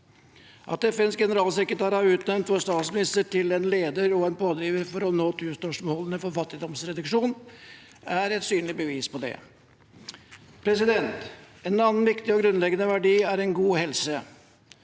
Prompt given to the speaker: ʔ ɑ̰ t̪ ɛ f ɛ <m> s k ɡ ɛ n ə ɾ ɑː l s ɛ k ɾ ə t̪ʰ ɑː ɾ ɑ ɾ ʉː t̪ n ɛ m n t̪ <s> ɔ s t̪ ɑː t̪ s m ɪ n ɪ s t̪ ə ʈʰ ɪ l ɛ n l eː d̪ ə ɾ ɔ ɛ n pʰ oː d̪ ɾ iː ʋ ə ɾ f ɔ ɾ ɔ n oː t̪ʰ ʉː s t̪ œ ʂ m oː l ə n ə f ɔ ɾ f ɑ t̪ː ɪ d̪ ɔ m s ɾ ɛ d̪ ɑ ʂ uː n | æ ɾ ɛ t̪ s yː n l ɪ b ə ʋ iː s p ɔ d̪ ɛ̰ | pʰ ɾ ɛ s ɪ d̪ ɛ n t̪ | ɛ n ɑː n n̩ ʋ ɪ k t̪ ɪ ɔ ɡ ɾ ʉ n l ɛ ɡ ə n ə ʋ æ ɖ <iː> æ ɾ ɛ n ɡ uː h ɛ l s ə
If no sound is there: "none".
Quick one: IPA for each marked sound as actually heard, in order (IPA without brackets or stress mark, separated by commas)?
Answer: n, f, iː